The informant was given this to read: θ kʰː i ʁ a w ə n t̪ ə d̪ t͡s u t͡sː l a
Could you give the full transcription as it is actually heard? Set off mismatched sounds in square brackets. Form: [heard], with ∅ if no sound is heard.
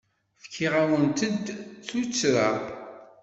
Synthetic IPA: [f] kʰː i ʁ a w ə n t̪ ə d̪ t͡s u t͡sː [ɾ] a